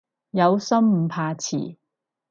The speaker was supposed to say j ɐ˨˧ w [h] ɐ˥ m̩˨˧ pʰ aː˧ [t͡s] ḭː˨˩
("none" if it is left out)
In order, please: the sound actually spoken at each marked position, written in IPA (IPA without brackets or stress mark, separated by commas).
s, t͡sʰ